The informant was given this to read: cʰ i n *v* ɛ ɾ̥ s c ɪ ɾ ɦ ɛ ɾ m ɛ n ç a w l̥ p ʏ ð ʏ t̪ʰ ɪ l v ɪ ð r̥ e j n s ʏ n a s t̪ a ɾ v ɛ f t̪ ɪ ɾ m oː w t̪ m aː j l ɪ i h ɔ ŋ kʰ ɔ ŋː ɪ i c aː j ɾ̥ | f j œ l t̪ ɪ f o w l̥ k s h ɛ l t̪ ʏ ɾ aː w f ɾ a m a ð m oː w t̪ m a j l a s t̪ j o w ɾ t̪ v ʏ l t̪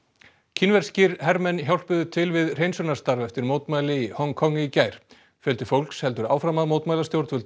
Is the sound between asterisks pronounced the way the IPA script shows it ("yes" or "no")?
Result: yes